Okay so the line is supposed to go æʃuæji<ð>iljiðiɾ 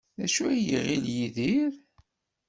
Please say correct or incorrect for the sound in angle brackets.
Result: incorrect